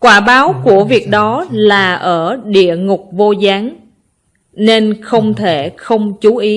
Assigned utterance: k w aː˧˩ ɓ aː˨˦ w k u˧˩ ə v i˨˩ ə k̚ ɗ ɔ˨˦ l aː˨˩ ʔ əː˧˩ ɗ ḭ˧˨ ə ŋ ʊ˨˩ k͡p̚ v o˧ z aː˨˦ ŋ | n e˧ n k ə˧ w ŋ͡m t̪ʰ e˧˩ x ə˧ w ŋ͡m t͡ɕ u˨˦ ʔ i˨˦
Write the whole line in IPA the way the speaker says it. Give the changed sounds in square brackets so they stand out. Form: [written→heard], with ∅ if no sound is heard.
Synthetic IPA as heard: k w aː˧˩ ɓ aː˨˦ w k u˧˩ ə v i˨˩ ə k̚ ɗ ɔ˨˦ l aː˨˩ ʔ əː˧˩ ɗ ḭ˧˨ ə ŋ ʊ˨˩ k͡p̚ v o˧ z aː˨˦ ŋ | n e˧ n [k→x] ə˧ w ŋ͡m t̪ʰ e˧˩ x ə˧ w ŋ͡m t͡ɕ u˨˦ ʔ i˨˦